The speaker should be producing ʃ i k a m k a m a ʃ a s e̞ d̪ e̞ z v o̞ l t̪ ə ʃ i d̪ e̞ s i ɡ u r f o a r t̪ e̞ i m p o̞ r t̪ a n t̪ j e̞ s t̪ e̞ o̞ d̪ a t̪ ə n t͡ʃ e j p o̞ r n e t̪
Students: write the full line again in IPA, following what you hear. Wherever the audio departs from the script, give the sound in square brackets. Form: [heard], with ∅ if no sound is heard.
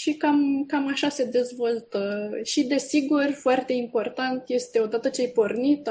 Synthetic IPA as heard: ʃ i k a m k a m a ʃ a s e̞ d̪ e̞ z v o̞ l t̪ ə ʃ i d̪ e̞ s i ɡ u r f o a r t̪ e̞ i m p o̞ r t̪ a n t̪ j e̞ s t̪ e̞ o̞ d̪ a t̪ ə [∅] t͡ʃ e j p o̞ r n [i] t̪